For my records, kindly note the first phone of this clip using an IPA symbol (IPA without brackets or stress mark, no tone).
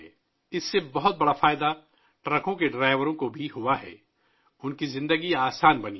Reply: ɪ